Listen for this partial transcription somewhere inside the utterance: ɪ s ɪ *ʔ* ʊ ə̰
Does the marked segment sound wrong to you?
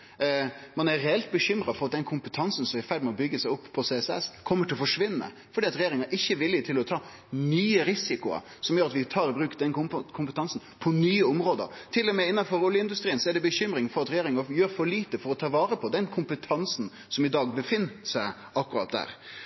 yes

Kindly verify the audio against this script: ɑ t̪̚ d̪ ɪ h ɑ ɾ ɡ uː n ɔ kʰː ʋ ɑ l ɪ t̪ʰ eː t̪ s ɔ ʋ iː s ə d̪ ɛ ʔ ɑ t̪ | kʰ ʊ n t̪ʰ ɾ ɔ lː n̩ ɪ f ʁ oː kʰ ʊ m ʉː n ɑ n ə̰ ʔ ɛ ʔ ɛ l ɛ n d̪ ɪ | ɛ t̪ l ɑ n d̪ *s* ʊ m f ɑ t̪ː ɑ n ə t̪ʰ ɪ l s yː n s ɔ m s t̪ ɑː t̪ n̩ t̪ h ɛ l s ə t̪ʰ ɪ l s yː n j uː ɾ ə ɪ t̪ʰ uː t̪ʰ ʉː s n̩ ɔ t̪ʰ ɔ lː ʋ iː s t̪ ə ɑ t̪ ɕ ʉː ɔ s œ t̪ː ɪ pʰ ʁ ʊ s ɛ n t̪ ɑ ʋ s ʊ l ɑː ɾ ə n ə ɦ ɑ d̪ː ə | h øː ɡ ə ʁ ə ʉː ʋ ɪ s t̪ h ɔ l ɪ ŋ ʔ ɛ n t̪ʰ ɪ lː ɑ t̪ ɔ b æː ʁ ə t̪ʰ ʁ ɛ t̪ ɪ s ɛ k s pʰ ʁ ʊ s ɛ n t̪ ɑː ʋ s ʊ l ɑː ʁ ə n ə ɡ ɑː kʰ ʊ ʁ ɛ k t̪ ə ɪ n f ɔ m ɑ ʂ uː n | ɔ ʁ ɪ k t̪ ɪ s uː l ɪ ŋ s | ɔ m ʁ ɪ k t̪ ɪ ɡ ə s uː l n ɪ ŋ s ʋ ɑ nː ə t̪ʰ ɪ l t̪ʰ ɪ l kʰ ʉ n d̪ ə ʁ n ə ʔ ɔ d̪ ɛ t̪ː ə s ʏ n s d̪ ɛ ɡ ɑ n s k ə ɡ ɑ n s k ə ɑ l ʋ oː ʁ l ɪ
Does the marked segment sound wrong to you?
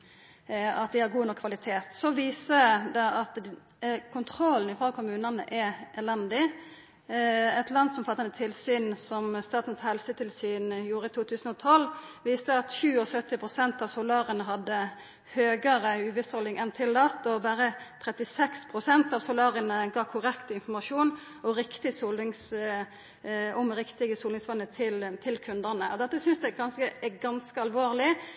no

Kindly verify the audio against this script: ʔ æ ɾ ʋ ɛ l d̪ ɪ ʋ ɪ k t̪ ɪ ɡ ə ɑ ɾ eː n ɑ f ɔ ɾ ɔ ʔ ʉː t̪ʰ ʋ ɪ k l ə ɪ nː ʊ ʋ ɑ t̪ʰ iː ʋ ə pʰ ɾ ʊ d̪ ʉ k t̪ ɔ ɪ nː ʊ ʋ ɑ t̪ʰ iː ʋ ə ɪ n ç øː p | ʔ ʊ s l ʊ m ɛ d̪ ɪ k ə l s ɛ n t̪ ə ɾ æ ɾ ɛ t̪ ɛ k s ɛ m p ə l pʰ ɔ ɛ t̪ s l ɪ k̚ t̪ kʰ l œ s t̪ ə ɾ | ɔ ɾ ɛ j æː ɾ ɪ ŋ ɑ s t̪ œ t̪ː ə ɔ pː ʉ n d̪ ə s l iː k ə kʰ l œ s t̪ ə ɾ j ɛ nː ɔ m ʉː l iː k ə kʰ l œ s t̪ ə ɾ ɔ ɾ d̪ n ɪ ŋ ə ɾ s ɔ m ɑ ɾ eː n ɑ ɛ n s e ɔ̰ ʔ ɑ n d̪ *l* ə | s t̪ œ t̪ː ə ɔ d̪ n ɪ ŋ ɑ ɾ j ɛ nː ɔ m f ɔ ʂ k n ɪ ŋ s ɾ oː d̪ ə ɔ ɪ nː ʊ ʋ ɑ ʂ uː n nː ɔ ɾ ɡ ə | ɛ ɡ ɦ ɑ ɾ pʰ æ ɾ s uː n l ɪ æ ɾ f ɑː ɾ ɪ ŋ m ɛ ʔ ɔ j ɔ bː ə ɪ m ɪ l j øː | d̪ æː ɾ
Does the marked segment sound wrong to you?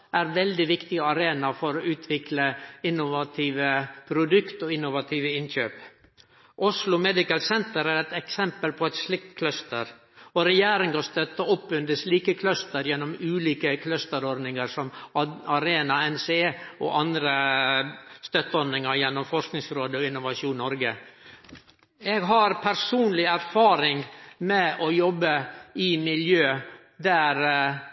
yes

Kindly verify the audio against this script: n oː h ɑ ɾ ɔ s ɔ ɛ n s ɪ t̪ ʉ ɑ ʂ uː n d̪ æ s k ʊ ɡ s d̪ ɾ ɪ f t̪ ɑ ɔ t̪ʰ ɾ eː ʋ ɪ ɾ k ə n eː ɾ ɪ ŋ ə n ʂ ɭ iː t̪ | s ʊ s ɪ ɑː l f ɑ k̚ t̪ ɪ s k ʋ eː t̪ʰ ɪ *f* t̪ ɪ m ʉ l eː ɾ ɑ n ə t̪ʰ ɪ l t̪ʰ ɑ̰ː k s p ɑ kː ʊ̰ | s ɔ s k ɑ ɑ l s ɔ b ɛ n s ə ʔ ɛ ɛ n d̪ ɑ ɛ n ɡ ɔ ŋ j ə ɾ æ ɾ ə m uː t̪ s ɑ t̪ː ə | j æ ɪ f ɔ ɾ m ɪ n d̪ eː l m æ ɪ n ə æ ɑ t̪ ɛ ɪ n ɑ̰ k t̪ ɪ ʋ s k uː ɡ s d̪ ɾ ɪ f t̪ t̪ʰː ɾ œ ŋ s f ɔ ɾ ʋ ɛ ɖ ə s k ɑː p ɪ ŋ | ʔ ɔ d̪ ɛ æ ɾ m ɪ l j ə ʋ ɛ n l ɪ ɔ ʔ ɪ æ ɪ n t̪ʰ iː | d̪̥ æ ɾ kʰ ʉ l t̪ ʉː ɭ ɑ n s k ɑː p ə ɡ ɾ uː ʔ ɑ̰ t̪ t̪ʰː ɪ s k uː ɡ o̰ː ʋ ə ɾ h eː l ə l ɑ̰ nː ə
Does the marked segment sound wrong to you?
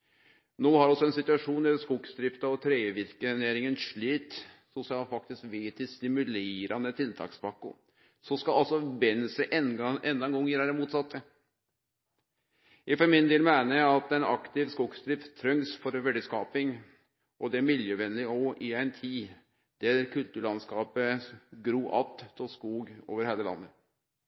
yes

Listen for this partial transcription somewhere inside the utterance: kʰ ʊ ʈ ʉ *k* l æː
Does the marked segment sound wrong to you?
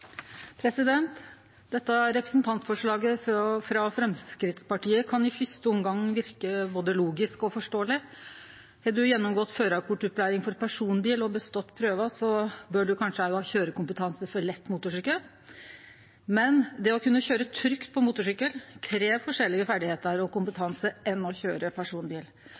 yes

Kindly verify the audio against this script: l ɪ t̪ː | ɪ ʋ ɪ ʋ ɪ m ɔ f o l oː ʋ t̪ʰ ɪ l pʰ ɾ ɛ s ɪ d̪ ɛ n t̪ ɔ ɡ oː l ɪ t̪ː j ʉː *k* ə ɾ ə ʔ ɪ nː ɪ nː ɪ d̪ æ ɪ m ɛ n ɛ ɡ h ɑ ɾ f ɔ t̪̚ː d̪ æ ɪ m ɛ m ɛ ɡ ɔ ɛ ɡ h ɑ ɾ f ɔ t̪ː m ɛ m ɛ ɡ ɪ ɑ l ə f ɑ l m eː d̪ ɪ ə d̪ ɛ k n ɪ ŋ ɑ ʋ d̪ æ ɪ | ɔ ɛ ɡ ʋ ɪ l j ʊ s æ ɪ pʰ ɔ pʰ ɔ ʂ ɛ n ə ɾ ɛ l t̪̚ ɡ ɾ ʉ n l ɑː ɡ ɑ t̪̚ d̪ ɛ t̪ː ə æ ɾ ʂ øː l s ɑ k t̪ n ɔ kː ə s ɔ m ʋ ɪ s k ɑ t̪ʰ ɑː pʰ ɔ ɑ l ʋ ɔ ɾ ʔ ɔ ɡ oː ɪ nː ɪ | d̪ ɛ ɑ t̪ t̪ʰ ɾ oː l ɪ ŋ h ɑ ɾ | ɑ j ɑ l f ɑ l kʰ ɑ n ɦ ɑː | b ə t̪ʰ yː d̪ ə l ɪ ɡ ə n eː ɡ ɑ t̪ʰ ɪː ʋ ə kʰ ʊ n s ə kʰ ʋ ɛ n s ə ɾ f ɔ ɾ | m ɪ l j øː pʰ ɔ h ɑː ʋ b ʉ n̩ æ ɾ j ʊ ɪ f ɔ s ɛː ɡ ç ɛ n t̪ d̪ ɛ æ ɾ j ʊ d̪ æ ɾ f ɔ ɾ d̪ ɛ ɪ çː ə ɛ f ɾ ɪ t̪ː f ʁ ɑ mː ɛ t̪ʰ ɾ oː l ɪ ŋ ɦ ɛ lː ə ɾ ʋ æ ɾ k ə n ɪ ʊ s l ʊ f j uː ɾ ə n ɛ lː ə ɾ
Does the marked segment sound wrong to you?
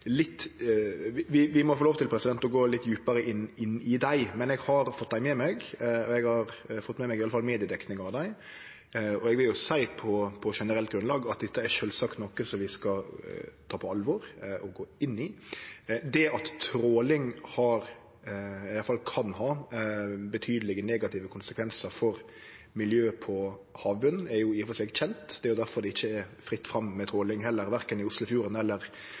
yes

